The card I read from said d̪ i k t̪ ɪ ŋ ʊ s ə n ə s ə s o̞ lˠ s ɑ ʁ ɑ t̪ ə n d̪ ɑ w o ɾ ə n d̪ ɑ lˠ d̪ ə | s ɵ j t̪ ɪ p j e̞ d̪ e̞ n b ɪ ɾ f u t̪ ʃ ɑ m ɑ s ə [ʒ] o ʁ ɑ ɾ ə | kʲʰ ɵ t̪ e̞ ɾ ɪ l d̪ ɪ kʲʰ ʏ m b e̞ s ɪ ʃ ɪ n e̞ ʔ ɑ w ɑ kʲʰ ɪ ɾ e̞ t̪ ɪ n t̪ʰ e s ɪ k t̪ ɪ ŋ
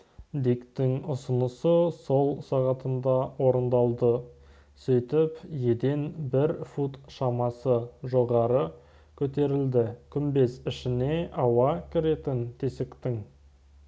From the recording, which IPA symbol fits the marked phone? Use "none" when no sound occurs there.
ʒ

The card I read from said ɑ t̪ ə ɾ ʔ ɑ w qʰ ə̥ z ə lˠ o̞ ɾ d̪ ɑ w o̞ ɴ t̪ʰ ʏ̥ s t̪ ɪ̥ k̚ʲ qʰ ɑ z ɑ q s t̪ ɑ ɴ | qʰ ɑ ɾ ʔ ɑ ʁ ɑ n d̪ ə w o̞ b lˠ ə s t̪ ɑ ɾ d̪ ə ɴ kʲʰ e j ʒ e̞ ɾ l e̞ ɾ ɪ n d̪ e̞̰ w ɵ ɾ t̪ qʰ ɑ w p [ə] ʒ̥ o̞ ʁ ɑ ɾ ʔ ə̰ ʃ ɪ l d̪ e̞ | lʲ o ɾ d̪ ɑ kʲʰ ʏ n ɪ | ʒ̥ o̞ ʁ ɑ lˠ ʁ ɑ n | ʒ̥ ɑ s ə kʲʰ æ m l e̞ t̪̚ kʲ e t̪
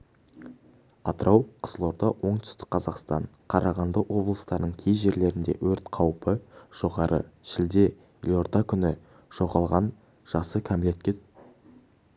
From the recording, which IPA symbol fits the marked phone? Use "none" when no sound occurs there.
ə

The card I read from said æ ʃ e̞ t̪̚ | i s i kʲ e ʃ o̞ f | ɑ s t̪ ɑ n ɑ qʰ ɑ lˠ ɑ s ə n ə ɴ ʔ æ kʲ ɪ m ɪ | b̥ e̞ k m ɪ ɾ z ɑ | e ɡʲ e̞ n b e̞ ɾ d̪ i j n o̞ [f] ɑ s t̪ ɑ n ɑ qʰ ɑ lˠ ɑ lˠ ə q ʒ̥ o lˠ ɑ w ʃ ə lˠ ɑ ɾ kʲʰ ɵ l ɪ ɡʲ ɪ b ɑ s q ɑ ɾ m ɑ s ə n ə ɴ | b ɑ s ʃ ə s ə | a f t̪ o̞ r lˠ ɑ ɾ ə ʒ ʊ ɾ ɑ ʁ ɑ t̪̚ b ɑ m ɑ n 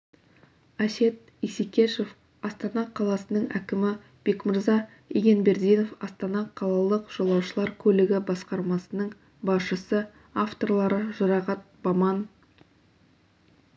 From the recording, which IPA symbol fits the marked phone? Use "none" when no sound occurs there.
f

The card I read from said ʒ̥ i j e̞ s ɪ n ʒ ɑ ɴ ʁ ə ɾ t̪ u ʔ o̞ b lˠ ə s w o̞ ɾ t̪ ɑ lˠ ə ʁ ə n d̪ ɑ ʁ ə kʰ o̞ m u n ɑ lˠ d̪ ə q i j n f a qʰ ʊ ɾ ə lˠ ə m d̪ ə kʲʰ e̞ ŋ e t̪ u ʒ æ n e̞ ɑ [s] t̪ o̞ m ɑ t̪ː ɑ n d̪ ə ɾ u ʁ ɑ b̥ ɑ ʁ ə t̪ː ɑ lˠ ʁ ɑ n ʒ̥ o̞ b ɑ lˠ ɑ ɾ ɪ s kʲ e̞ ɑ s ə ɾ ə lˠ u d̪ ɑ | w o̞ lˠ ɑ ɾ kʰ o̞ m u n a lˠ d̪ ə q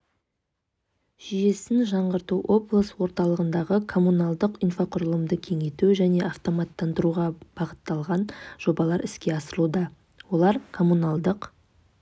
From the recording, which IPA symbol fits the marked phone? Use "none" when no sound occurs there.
f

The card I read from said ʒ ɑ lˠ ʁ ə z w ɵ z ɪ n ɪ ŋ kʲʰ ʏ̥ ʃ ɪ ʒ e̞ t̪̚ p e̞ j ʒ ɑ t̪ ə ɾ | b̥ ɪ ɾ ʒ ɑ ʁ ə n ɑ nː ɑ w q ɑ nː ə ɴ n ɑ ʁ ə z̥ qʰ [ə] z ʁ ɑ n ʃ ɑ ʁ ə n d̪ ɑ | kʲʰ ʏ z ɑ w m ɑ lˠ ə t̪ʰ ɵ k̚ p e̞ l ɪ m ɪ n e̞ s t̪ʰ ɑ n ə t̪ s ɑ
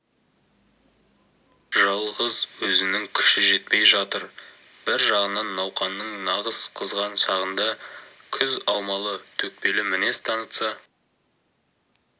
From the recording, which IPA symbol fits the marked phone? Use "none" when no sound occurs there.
ə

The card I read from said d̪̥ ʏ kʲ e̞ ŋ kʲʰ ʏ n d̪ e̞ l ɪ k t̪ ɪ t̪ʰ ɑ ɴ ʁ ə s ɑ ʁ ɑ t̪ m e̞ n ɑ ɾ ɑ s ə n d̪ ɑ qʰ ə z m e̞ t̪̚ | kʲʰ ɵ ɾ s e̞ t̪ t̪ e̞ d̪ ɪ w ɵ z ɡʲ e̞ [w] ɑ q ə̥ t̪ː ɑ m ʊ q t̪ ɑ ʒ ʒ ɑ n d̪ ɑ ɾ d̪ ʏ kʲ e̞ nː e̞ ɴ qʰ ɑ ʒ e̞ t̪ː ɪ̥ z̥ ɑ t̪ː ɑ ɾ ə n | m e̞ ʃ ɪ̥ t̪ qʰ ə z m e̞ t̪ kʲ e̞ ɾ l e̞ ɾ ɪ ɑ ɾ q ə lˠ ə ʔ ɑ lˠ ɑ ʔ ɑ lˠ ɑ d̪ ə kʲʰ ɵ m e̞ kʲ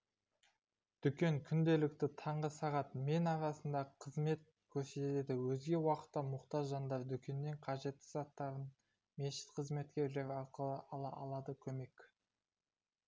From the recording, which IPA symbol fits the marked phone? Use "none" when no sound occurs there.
w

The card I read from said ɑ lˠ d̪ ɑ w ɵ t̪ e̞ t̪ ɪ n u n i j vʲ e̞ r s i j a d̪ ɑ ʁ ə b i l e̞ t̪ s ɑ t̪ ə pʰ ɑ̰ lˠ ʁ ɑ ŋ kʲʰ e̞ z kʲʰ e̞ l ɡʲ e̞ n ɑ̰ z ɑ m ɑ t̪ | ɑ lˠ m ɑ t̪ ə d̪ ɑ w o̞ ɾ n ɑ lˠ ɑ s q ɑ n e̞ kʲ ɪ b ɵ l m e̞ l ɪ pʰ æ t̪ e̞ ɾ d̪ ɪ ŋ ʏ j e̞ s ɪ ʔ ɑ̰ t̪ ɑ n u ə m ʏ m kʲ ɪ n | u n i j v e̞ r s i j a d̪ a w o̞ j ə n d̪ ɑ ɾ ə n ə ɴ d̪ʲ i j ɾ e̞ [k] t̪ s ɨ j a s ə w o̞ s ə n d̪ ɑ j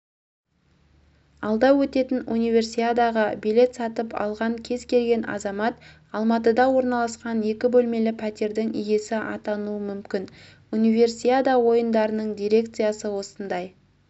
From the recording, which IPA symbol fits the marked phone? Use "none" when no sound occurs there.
k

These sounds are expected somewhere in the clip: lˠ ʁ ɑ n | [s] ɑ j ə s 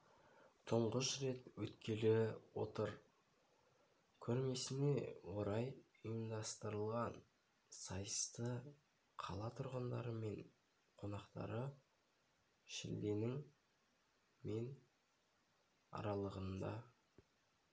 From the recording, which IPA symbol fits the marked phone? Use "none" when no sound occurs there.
s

